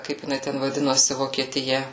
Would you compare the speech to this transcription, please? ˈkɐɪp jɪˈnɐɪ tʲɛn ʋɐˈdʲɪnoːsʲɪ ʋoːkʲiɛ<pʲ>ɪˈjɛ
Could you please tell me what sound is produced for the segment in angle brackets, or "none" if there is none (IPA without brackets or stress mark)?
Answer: tʲ